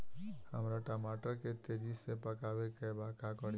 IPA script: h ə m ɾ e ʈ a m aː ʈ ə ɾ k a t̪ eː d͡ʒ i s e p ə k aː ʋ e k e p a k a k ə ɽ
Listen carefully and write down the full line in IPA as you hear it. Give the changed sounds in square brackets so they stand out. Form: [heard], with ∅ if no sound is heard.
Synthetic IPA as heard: h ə m ɾ [a] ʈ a m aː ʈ ə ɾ k [e] t̪ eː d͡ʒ i s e p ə k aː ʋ e k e [b] a k a k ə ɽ